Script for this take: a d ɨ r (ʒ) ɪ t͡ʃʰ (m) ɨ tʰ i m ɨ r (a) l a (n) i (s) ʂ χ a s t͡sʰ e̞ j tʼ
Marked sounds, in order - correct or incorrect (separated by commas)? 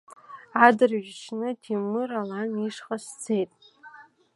correct, incorrect, correct, correct, incorrect